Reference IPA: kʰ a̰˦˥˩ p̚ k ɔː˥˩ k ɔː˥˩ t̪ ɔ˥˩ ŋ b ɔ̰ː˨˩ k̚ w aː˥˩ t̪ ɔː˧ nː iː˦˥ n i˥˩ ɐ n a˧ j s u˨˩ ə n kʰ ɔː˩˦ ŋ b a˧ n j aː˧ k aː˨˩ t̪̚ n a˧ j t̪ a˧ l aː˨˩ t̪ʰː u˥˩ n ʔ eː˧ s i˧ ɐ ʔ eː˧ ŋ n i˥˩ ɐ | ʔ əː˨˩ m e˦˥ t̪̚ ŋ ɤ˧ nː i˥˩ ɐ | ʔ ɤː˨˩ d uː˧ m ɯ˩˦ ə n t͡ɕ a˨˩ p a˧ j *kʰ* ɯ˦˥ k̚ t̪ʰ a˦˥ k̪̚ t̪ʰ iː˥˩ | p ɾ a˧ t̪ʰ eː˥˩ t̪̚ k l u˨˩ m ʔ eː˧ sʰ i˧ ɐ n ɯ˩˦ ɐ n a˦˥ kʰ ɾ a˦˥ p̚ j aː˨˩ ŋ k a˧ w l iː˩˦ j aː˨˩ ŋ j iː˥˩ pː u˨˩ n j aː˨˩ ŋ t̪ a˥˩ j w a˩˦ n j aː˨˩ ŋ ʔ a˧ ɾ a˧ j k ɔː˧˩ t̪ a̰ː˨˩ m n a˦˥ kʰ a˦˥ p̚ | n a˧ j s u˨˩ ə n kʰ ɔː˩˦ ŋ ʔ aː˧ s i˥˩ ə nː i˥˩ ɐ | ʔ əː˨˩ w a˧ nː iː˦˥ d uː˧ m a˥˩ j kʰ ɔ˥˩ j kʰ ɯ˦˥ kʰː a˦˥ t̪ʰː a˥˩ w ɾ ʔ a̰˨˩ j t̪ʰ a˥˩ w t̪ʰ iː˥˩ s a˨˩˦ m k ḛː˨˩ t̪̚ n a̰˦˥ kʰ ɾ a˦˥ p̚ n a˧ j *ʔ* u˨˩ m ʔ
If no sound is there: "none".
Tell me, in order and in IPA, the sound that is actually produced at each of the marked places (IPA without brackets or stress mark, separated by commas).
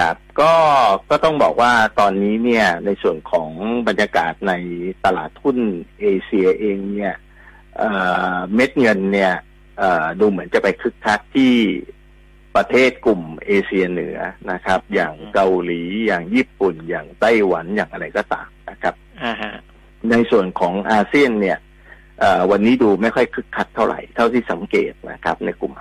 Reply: kʰ, k